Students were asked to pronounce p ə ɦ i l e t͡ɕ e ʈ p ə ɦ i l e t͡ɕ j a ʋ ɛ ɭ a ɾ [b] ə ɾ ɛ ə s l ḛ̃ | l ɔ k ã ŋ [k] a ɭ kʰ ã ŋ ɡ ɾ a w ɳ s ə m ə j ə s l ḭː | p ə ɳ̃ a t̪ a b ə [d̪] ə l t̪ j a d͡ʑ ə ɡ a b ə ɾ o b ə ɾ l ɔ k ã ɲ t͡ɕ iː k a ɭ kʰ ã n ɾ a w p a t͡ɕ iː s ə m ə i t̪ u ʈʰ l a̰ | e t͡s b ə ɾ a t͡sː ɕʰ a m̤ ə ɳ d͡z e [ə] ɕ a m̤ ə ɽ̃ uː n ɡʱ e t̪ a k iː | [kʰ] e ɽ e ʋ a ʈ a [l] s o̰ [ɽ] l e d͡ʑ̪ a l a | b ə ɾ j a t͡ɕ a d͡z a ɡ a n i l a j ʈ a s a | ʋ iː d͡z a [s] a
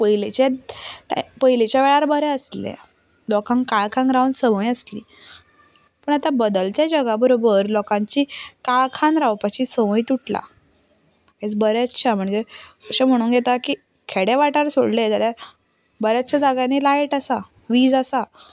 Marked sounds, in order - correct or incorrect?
correct, correct, correct, correct, correct, incorrect: ɾ, correct, correct

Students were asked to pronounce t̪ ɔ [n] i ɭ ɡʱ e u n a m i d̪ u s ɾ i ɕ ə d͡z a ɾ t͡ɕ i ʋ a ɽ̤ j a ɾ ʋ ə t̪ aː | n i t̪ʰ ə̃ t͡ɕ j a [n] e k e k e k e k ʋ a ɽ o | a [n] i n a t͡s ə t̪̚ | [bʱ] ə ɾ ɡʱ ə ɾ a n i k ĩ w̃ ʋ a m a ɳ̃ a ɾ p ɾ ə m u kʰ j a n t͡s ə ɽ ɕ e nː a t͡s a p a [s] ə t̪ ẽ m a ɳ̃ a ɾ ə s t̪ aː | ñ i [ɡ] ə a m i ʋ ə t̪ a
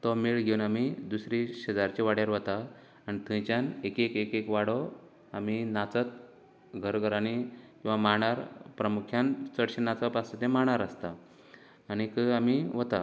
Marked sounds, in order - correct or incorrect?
incorrect: m, correct, incorrect: m, incorrect: ɡʱ, correct, incorrect: k

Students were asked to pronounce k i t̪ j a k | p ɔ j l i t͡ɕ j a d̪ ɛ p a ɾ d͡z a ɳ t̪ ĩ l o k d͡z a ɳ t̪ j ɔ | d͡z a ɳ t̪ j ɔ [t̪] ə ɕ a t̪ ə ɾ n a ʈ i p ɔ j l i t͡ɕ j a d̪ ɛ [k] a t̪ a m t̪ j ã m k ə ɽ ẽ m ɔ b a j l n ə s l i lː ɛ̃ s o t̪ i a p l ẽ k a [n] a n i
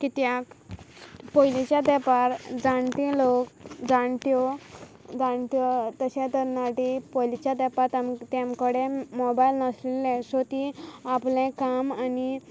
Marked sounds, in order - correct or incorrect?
correct, incorrect: p, incorrect: m

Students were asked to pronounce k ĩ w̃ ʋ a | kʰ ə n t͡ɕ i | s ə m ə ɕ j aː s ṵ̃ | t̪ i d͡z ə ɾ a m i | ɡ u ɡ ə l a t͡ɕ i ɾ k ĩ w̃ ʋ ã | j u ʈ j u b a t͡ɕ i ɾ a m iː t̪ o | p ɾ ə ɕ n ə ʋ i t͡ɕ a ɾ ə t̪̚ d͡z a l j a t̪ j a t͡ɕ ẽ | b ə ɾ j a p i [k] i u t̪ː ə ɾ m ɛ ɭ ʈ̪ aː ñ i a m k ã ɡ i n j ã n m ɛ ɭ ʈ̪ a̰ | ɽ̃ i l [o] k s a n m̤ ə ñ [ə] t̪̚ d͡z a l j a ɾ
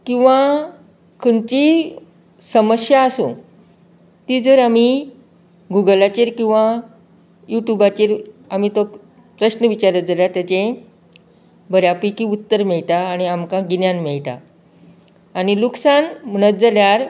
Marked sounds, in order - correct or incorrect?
correct, incorrect: u, correct

